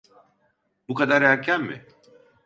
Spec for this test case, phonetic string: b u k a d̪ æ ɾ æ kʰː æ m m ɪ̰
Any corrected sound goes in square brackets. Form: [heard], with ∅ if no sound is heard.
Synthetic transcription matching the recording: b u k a d̪ [a] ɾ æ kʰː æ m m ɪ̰